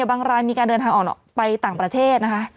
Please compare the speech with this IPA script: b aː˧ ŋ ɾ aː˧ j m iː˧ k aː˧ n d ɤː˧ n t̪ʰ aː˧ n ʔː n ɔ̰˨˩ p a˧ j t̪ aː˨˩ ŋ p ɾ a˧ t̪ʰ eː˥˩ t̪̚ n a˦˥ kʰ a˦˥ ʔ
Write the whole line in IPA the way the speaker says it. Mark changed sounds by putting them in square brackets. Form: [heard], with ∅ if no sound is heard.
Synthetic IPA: b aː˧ ŋ ɾ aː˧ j m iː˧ k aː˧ n d ɤː˧ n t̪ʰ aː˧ [ŋ] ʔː n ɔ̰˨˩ p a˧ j t̪ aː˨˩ ŋ p ɾ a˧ t̪ʰ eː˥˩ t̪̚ n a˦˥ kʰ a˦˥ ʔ